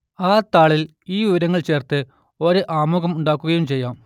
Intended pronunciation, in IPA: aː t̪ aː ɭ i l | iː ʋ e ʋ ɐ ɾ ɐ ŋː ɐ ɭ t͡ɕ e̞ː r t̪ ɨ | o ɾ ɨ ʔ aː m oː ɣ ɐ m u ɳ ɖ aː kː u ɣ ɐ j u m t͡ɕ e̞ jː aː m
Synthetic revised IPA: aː t̪ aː ɭ i l | iː ʋ i ʋ ɐ ɾ ɐ ŋː ɐ ɭ t͡ɕ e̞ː r t̪ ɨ | o ɾ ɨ ʔ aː m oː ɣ ɐ m u ɳ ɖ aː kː u ɣ ɐ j u m t͡ɕ e̞ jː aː m